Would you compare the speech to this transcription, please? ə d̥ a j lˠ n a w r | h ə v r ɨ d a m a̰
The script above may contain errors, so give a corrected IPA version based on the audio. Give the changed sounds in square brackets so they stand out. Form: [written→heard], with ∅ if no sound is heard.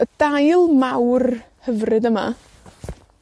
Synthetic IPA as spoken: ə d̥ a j lˠ [n→m] a w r | h ə v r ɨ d [a→ə] m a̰